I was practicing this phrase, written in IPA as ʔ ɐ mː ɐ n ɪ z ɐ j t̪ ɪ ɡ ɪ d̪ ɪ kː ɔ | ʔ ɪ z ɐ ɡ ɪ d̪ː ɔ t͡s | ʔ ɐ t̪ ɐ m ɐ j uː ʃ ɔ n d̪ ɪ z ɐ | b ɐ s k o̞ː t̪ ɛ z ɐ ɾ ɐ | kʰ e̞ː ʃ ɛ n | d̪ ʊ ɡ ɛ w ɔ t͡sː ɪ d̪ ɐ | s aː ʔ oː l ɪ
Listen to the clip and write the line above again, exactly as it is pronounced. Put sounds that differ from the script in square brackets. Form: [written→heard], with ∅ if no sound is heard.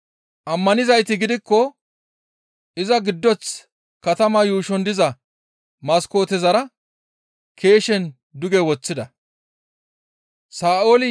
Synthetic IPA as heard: ʔ ɐ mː ɐ n ɪ z ɐ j t̪ ɪ ɡ ɪ d̪ ɪ kː ɔ | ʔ ɪ z ɐ ɡ ɪ d̪ː ɔ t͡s | [ʔ→k] ɐ t̪ ɐ m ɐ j uː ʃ ɔ n d̪ ɪ z ɐ | [b→m] ɐ s k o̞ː t̪ ɛ z ɐ ɾ ɐ | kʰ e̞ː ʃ ɛ n | d̪ ʊ ɡ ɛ w ɔ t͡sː ɪ d̪ ɐ | s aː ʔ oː l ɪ